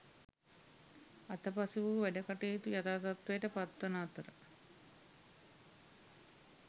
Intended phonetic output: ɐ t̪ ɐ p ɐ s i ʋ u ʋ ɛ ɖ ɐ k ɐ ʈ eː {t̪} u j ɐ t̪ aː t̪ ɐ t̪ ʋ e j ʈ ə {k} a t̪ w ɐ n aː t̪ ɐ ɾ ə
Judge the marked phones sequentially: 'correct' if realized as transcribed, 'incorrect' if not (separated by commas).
correct, incorrect